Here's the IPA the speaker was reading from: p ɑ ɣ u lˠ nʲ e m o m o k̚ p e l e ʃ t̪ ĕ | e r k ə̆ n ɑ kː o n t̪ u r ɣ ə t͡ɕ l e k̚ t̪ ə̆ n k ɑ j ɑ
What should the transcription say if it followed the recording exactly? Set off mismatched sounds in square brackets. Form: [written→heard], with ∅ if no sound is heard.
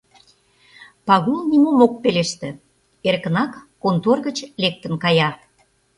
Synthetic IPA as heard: p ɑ ɣ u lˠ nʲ [e→i] m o m o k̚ p e l e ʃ t̪ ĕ | e r k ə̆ n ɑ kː o n t̪ [u→o] r ɣ ə t͡ɕ l e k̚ t̪ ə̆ n k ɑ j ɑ